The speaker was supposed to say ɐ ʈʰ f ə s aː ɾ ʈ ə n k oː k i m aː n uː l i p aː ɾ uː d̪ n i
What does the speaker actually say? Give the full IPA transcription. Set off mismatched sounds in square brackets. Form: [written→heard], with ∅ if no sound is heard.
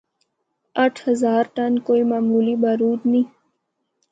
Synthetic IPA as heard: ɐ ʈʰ [f→h] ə [s→z] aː ɾ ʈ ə n k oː [k→∅] i m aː [n→m] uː l i [p→b] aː ɾ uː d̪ n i